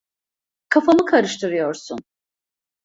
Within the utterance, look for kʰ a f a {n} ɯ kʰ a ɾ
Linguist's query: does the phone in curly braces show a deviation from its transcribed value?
yes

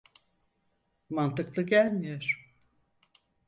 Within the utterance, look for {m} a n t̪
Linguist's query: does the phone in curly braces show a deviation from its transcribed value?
no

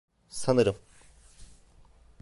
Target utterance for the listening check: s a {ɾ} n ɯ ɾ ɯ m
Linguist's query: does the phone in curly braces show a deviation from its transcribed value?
yes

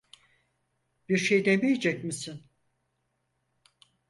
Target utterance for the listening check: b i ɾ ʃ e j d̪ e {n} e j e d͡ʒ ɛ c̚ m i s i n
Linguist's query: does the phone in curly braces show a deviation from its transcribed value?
yes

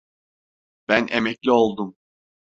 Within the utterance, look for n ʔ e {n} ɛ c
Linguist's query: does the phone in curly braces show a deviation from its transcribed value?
yes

